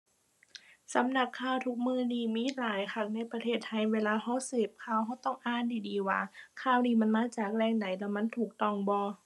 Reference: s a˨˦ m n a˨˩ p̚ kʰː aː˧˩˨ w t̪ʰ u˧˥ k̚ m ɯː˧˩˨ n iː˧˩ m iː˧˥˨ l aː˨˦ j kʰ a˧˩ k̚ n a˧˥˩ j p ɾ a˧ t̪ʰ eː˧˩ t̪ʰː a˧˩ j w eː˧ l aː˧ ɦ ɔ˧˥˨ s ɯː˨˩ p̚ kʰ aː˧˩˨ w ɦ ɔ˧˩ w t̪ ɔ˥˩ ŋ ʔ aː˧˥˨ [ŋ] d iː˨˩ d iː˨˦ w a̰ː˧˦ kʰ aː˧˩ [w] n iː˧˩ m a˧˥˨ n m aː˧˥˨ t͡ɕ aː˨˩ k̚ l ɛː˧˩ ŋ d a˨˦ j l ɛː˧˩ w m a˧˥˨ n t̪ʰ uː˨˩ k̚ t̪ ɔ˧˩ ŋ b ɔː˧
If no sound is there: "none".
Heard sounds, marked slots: n, w

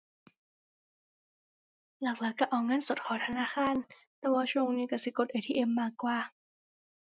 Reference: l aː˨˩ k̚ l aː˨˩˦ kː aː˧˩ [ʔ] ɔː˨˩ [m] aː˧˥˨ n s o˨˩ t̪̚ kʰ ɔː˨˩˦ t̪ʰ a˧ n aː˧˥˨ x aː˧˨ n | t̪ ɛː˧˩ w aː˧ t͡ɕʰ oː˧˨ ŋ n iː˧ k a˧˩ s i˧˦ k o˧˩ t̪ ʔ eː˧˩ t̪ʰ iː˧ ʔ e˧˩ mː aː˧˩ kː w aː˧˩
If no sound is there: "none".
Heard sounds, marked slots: ʔ, ŋ

